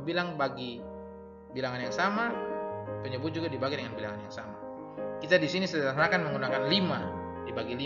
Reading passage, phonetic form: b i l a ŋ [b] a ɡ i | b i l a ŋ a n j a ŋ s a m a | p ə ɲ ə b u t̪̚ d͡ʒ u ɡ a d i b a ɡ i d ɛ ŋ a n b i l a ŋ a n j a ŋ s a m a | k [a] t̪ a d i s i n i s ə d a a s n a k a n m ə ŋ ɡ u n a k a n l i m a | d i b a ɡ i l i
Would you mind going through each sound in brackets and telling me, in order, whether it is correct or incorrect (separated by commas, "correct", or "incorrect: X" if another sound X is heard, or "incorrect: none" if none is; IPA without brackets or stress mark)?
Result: correct, incorrect: i